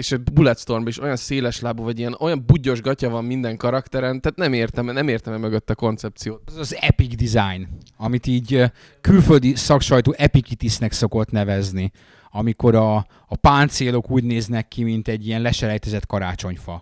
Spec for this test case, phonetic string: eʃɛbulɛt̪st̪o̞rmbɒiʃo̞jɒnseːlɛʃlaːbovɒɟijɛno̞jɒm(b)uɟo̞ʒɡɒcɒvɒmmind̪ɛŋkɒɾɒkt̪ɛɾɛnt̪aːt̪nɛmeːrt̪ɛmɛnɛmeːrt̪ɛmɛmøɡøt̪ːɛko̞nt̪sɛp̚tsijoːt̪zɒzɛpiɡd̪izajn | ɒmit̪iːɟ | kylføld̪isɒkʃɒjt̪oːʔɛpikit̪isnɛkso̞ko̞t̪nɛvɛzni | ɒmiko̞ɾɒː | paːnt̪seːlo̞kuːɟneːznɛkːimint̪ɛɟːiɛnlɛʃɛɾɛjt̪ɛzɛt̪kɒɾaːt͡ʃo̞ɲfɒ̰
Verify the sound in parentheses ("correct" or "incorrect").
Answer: correct